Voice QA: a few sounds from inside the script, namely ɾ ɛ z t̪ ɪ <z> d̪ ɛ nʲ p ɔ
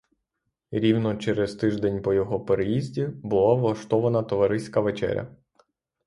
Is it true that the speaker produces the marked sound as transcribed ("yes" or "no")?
no